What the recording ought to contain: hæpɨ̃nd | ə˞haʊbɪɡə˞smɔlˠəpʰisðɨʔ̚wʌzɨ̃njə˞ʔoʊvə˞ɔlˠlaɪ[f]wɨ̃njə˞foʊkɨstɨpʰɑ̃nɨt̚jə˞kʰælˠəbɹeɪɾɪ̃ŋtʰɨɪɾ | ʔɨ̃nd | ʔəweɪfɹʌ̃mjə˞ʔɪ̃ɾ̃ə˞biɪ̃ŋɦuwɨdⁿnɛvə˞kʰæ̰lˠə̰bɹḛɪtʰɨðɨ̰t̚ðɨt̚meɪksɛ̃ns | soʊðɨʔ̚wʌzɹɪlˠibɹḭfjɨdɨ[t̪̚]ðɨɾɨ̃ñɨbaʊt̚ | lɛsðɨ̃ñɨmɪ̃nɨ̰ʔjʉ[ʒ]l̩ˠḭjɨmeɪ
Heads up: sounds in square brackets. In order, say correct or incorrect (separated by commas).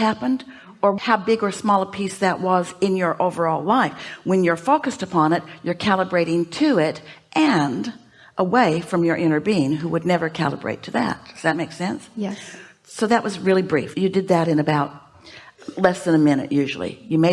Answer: correct, incorrect, correct